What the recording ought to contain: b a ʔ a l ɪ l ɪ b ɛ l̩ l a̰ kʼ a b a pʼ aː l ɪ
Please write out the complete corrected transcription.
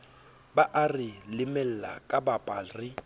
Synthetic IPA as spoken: b a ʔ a r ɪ l ɪ m ɛ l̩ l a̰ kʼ a b a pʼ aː r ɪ